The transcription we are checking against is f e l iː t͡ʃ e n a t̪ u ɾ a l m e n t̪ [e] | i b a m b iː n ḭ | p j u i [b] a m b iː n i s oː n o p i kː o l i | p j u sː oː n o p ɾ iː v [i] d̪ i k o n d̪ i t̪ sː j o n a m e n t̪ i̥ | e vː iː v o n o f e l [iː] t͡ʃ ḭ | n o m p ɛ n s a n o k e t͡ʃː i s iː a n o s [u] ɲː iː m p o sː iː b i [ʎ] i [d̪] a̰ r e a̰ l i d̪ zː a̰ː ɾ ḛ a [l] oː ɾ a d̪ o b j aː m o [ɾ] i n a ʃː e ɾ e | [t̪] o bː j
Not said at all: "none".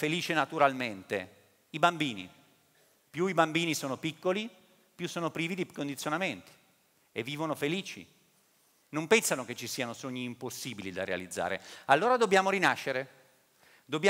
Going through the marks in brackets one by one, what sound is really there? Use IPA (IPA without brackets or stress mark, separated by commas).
e, b, i, iː, o, l, d̪, lː, ɾ, d̪